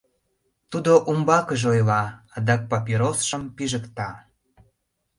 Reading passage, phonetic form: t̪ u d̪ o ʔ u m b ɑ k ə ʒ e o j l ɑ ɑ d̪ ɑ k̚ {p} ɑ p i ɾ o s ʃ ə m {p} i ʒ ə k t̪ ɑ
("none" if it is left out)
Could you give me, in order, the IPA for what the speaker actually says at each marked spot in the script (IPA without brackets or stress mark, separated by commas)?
p, p